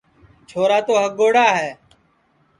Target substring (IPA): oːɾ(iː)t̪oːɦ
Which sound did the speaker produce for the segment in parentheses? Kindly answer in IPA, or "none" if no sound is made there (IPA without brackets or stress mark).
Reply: aː